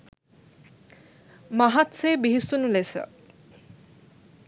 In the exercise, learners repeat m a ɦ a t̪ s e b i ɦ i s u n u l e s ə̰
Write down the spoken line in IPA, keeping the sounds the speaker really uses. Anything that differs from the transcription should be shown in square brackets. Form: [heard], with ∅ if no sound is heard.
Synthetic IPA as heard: m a ɦ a t̪ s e b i ɦ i s u n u l e s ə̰